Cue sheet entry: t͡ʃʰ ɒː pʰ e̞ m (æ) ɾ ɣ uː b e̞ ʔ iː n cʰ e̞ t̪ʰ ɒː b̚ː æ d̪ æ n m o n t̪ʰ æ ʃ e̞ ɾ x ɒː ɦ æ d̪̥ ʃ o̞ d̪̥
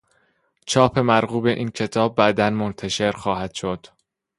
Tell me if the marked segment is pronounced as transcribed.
yes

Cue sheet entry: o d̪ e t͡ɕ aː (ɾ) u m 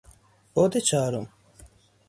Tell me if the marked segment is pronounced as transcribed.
yes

